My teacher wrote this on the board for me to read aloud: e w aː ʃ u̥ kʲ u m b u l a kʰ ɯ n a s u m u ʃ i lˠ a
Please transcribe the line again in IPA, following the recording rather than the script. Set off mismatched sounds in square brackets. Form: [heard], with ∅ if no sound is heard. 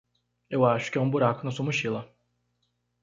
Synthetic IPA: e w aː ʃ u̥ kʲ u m b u [ɾ] a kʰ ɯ n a s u m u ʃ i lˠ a

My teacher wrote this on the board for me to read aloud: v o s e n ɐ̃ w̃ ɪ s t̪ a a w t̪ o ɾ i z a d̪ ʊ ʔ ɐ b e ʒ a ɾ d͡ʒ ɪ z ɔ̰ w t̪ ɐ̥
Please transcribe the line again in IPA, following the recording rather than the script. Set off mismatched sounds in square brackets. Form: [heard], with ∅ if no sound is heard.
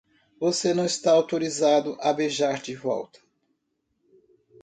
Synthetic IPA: v o s e n ɐ̃ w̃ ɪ s t̪ a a w t̪ o ɾ i z a d̪ ʊ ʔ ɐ b e ʒ a ɾ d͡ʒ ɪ [v] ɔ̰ w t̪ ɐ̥

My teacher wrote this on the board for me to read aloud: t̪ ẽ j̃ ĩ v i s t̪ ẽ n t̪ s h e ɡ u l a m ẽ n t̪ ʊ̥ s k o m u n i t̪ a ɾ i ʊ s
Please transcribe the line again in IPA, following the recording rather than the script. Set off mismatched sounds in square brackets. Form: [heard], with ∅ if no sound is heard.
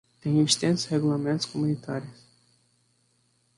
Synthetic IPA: t̪ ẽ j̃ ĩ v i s t̪ ẽ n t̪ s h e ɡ u l a m ẽ n t̪ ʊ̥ s k o m u n i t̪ a ɾ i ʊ s

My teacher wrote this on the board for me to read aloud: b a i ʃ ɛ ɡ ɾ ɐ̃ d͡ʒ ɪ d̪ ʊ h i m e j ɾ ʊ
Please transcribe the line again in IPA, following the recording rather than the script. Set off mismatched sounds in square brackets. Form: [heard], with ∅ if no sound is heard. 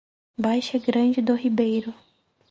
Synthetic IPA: b a [j] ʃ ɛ ɡ ɾ ɐ̃ d͡ʒ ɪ d̪ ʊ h i [b] e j ɾ ʊ

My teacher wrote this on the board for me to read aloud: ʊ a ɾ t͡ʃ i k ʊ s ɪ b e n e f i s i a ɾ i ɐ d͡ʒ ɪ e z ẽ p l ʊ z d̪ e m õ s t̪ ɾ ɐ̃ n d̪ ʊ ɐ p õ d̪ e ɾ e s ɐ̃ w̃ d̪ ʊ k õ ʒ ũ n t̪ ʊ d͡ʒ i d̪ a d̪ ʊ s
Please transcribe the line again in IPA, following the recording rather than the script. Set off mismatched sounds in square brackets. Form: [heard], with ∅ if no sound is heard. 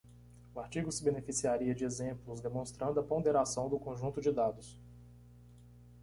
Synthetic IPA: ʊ a ɾ t͡ʃ i [ɡ] ʊ s ɪ b e n e f i s i a ɾ i ɐ d͡ʒ ɪ e z ẽ p l ʊ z d̪ e m õ s t̪ ɾ ɐ̃ n d̪ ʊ ɐ p õ d̪ e ɾ [a] s ɐ̃ w̃ d̪ ʊ k õ ʒ ũ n t̪ ʊ d͡ʒ [ɪ] d̪ a d̪ ʊ s

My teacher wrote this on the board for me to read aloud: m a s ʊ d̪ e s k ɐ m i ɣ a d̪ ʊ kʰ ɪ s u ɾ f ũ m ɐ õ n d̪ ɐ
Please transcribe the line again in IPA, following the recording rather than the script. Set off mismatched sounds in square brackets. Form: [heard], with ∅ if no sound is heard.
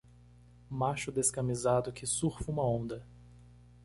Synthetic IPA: m a [ʃ] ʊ d̪ e s k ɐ m i [z] a d̪ ʊ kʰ ɪ s u ɾ f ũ m ɐ õ n d̪ ɐ

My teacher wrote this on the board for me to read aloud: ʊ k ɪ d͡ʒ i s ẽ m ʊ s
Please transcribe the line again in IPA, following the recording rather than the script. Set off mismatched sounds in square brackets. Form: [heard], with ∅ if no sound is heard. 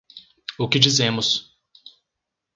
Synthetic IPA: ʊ k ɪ d͡ʒ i [z] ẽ m ʊ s

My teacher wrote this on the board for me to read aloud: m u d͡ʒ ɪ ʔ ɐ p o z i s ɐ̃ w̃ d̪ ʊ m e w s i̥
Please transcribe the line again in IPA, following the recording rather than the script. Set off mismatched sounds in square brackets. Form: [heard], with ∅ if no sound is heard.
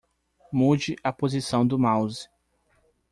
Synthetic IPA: m u d͡ʒ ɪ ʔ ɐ p o z i s ɐ̃ w̃ d̪ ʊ m [a] w [z] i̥

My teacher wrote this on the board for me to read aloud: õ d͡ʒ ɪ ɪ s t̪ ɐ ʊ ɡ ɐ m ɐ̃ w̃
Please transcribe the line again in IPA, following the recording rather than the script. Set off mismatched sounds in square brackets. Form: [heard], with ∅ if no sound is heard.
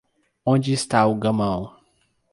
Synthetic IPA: õ d͡ʒ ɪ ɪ s t̪ [a] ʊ ɡ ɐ m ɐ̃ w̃

